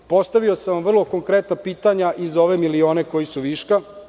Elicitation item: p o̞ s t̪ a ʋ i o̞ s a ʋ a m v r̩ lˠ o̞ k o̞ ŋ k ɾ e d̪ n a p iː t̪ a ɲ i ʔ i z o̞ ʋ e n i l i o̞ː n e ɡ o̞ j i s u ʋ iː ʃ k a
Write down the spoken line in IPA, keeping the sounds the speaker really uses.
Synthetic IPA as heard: p o̞ s t̪ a ʋ i o̞ s a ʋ a m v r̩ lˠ o̞ k o̞ ŋ k ɾ e t̪ n a p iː t̪ a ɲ a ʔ i z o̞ ʋ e m i l i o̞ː n e k o̞ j i s u ʋ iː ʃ k a